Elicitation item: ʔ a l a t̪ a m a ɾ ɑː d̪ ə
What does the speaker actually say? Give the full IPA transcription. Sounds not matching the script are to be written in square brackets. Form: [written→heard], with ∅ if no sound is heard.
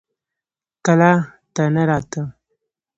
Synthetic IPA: [ʔ→k] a l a t̪ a [m→n] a ɾ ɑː [d̪→t̪] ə